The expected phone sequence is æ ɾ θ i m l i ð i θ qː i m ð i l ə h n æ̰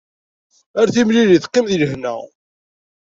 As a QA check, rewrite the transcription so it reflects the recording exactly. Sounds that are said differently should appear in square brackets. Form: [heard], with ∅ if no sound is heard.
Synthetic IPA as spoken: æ ɾ θ i m l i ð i θ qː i m ð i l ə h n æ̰